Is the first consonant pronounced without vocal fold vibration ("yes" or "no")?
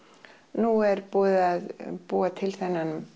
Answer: no